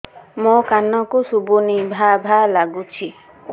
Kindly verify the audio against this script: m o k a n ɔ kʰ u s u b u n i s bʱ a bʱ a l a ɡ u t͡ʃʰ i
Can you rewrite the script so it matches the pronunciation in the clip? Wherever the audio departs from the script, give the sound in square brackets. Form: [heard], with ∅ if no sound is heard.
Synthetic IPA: m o k a n ɔ [k] u s u b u n i [∅] bʱ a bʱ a l a ɡ u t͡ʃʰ i

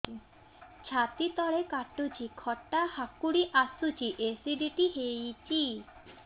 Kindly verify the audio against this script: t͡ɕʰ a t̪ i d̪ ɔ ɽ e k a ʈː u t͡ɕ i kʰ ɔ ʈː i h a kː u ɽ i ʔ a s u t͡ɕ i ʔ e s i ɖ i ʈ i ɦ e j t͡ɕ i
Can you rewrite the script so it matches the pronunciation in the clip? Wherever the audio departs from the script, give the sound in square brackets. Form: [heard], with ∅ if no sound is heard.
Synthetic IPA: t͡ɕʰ a t̪ i [t̪] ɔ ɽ e k a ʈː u t͡ɕ i kʰ ɔ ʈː [a] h a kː u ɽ i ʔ a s u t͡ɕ i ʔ e s i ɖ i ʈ i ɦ e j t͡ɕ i

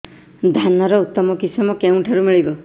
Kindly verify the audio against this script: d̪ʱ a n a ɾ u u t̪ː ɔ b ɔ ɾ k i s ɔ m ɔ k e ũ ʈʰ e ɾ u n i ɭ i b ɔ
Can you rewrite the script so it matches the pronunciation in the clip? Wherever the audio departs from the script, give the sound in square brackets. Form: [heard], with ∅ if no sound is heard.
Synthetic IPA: d̪ʱ a n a ɾ [ɔ] u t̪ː ɔ [m] ɔ [∅] k i s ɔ m ɔ k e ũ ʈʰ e ɾ u [m] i ɭ i b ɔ

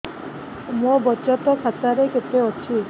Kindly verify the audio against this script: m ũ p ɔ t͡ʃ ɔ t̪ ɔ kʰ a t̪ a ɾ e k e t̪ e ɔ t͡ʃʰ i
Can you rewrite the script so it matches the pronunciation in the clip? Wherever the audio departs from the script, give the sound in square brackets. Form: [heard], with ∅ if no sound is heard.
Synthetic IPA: m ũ [b] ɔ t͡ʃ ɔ t̪ ɔ kʰ a t̪ a ɾ e k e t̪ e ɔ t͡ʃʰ i

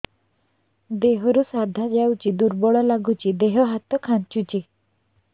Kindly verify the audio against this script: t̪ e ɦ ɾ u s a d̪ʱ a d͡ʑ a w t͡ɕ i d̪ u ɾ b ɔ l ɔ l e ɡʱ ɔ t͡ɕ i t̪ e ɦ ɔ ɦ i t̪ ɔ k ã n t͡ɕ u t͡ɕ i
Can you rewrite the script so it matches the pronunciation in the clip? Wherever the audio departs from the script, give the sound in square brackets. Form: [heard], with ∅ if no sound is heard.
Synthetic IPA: [d̪] e ɦ ɾ u s a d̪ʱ a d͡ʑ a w t͡ɕ i d̪ u ɾ b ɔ [ɭ] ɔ l [a] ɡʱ [u] t͡ɕ i [d̪] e ɦ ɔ ɦ [a] t̪ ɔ [kʰ] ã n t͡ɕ u t͡ɕ i

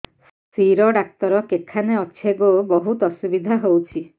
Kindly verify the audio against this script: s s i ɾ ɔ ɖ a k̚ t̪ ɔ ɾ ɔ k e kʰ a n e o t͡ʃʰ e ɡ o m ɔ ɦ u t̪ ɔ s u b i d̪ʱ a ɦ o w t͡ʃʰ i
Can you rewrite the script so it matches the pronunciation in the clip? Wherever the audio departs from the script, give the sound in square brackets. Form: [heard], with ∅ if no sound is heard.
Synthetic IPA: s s i ɾ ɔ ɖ a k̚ t̪ ɔ ɾ ɔ k e kʰ a n e [ɔ] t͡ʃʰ e ɡ o [b] ɔ ɦ u t̪ ɔ s u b i d̪ʱ a ɦ o w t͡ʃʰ i

